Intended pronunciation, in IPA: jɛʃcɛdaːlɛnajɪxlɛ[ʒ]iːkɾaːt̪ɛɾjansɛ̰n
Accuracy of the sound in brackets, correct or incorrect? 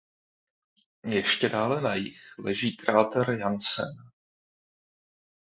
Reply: correct